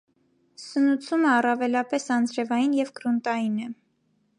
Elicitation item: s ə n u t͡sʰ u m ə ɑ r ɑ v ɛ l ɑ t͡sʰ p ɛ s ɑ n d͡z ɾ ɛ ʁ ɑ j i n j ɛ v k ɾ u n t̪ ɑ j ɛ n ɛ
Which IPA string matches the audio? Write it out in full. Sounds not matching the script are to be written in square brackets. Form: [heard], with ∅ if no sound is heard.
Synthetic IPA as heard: s ə n u t͡sʰ u m ə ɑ r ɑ v ɛ l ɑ [∅] p ɛ s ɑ n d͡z ɾ ɛ [v] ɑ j i n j ɛ v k ɾ u n t̪ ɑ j [i] n ɛ